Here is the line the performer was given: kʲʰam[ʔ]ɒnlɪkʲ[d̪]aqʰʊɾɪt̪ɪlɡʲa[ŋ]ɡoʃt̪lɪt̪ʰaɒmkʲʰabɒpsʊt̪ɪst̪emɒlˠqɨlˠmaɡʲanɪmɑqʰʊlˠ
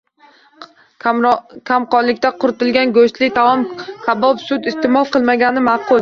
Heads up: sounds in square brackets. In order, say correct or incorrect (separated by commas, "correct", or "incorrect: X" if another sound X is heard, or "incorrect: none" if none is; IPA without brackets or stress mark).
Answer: incorrect: q, incorrect: t̪, incorrect: n